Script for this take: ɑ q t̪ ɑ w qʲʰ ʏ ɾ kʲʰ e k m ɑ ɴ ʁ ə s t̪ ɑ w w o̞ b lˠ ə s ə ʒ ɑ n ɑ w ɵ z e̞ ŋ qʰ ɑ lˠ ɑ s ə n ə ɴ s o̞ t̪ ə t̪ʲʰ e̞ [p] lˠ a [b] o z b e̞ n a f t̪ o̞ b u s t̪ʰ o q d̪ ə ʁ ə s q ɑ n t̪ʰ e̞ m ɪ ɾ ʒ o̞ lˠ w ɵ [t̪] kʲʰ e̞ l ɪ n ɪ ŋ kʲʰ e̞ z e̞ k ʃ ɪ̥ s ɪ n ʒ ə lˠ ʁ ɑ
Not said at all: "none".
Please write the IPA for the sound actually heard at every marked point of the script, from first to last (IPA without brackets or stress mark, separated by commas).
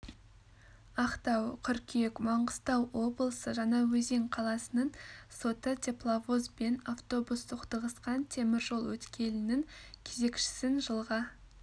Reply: p, v, t̪